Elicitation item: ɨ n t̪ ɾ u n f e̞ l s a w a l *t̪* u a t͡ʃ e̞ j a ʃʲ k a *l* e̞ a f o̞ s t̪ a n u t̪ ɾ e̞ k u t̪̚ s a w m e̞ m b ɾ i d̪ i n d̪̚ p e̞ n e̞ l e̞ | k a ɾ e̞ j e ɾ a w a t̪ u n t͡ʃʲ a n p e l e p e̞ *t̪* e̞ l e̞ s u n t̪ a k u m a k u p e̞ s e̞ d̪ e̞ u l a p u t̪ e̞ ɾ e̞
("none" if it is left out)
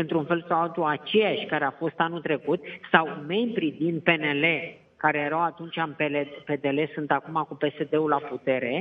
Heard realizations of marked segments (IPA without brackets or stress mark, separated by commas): t̪, ɾ, d̪